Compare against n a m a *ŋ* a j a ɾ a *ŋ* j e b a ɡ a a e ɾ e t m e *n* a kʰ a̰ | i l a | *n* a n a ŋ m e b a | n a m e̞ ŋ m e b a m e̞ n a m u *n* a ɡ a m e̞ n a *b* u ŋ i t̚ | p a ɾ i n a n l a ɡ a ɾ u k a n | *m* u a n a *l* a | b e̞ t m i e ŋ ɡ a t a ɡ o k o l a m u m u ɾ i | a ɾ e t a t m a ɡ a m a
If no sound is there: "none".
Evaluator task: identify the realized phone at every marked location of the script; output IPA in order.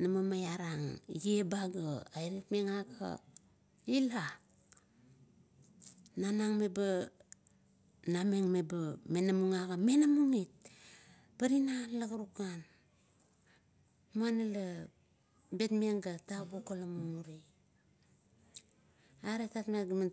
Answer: m, ŋ, ŋ, n, ŋ, m, m, l

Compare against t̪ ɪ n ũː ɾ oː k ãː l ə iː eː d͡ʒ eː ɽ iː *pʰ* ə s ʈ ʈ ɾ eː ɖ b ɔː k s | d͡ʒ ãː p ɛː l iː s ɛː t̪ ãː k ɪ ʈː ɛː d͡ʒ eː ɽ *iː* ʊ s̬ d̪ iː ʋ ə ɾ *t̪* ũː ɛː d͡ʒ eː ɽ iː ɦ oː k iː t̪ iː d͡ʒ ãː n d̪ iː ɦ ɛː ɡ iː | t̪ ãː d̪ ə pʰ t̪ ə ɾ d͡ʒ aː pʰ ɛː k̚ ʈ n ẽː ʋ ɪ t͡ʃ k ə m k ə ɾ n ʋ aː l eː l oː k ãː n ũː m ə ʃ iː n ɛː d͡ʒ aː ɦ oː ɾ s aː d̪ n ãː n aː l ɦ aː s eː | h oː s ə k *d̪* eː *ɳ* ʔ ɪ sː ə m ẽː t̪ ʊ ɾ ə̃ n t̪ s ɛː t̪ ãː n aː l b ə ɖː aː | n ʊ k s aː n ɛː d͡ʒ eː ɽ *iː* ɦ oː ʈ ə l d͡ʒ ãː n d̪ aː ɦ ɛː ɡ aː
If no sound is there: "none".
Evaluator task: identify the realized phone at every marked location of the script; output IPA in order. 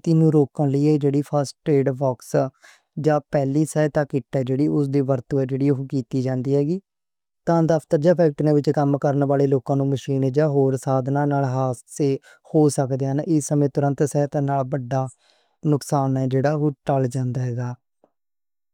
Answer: pʰ, iː, t̪, d̪, n, aː

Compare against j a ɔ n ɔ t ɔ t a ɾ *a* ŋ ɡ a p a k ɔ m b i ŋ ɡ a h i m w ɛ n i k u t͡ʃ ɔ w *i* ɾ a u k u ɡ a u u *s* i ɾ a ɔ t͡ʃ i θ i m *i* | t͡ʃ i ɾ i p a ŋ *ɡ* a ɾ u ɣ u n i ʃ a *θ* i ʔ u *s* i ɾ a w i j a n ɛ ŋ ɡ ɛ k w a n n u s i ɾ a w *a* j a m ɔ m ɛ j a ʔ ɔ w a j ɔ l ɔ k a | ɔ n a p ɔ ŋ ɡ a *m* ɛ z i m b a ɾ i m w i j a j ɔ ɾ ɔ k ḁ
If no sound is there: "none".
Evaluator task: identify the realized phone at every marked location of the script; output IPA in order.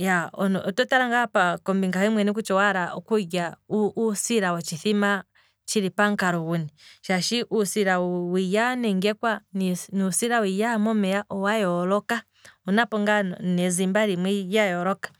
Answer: a, a, s, a, k, ʃ, s, i, n

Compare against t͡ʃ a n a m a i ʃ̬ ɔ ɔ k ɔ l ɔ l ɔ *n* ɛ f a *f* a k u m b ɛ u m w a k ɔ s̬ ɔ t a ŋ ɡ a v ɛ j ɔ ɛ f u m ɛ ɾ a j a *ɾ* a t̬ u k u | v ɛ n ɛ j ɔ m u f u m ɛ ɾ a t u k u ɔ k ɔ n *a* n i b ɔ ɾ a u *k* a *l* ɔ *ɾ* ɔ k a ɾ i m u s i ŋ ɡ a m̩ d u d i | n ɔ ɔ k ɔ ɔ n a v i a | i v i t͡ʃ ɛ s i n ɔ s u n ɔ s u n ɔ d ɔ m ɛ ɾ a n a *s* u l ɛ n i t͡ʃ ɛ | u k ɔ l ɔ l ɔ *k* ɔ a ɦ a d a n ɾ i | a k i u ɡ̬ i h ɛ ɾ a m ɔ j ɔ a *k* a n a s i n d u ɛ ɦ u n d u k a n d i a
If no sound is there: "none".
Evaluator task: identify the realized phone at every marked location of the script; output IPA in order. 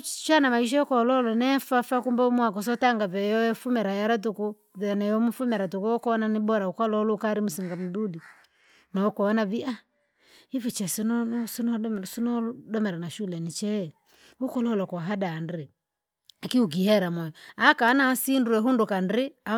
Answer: n, f, ɾ, a, k, l, l, ʃ, k, k

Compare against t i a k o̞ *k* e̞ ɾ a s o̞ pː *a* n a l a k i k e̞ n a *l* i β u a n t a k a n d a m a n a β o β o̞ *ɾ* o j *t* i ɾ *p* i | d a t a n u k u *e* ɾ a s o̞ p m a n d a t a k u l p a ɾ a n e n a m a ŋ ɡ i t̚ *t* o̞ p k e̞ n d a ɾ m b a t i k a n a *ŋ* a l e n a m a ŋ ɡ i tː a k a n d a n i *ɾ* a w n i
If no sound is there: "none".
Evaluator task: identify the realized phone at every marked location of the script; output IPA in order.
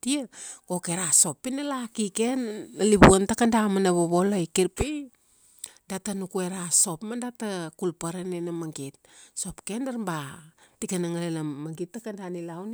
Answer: k, i, l, l, k, p, e, s, ŋ, l

